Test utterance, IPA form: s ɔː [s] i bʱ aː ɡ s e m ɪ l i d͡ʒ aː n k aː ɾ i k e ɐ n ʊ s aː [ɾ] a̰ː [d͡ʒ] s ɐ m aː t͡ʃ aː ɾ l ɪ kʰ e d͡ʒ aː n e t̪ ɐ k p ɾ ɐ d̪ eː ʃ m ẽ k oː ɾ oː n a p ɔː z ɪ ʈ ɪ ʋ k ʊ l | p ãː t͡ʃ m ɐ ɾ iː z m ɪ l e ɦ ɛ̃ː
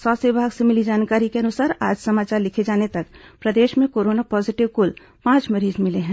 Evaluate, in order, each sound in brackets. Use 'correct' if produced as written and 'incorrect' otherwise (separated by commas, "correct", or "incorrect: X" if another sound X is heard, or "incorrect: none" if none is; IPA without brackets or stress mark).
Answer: correct, correct, correct